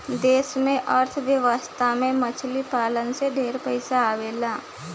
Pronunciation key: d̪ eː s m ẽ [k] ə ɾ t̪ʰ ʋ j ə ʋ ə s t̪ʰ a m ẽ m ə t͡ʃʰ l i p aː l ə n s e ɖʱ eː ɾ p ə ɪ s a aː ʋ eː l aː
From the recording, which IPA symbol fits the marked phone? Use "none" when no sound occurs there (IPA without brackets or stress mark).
ʔ